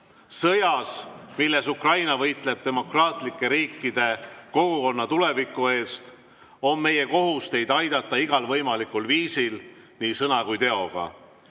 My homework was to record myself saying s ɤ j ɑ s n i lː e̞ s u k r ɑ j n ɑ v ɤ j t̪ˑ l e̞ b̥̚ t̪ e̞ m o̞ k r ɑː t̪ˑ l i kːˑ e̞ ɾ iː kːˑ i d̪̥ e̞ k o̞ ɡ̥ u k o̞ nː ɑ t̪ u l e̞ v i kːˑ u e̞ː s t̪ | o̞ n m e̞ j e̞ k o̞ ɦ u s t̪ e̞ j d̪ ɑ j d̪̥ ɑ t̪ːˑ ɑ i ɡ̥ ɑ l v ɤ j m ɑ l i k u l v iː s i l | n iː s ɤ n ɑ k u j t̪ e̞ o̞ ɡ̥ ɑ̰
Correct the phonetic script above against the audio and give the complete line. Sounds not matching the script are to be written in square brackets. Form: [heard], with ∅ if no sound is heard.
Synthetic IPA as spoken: s ɤ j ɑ s [m] i lː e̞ s u k r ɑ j n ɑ v ɤ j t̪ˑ l e̞ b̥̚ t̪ e̞ m o̞ k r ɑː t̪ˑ l i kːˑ e̞ ɾ iː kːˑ i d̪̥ e̞ k o̞ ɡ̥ u k o̞ nː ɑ t̪ u l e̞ v i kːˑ u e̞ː s t̪ | o̞ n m e̞ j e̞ k o̞ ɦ u s t̪ e̞ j d̪ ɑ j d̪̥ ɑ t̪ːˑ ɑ i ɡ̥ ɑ l v ɤ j m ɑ l i k u l v iː s i l | n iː s ɤ n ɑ k u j t̪ e̞ o̞ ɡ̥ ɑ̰

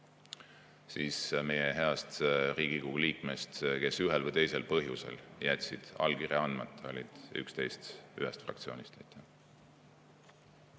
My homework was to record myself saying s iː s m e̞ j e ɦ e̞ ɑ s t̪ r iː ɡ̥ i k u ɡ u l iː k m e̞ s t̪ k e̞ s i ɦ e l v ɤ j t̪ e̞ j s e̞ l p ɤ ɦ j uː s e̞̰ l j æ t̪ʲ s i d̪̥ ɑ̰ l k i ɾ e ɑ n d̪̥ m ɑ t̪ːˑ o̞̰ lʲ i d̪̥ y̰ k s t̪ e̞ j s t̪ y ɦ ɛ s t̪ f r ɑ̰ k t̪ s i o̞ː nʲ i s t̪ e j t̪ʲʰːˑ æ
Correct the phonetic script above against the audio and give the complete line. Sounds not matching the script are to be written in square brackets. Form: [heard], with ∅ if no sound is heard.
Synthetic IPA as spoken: s iː s m e̞ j e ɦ e̞ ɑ s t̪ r iː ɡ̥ i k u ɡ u l iː k m e̞ s t̪ k e̞ s [y] ɦ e l v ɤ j t̪ e̞ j s e̞ l p ɤ ɦ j [u] s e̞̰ l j æ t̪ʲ s i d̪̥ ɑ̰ l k i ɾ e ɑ n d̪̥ m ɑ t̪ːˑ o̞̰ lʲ i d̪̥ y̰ k s t̪ e̞ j s t̪ y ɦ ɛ s t̪ f r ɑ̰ k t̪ s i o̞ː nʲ i s t̪ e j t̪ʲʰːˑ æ

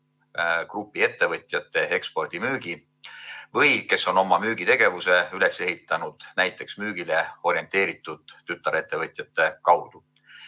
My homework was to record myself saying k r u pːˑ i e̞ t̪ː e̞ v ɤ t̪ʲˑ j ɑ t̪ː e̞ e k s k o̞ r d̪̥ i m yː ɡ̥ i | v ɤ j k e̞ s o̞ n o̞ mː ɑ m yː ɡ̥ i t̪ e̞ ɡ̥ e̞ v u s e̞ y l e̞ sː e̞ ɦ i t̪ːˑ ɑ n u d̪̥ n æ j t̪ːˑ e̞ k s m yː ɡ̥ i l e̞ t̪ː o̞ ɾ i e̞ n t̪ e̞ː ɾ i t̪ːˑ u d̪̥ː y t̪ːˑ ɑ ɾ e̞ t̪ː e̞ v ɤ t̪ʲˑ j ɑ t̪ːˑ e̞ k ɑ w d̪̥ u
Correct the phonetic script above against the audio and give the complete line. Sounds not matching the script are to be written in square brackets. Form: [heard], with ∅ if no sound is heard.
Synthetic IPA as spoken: k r u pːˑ i e̞ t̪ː e̞ v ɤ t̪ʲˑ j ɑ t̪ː e̞ e k s [p] o̞ r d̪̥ i m yː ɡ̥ i | v ɤ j k e̞ s o̞ n o̞ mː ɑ m yː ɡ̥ i t̪ e̞ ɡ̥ e̞ v u s e̞ y l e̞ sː e̞ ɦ i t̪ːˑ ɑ n u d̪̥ n æ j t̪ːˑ e̞ k s m yː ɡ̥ i l e̞ [∅] o̞ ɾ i e̞ n t̪ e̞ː ɾ i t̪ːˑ u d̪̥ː y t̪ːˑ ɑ ɾ e̞ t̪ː e̞ v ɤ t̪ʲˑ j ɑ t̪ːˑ e̞ k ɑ w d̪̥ u

